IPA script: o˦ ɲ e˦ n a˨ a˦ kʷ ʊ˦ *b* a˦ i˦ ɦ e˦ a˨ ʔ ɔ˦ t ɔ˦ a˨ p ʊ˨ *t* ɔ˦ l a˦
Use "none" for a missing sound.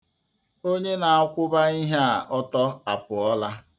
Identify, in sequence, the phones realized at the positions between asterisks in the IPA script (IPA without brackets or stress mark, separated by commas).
b, none